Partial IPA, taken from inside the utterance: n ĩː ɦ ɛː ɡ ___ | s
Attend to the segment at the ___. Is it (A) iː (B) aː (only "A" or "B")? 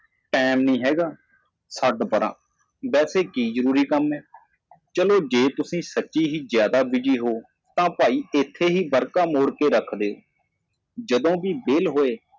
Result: B